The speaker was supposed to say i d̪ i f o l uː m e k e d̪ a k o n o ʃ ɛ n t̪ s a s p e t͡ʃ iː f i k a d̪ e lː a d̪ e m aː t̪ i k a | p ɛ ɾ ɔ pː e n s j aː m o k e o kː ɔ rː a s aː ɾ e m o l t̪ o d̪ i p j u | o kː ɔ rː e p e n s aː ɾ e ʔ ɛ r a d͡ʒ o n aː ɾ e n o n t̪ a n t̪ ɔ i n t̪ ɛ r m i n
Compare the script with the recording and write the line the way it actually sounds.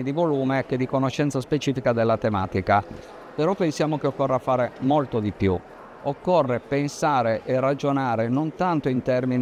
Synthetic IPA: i d̪ i v o l uː m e k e d̪ i k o n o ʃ ɛ n t̪ s a s p e t͡ʃ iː f i k a d̪ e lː a t̪ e m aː t̪ i k a | p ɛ ɾ ɔ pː e n s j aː m o k e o kː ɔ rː a f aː ɾ e m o l t̪ o d̪ i p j u | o kː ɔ rː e p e n s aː ɾ e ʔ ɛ r a d͡ʒ o n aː ɾ e n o n t̪ a n t̪ o i n t̪ ɛ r m i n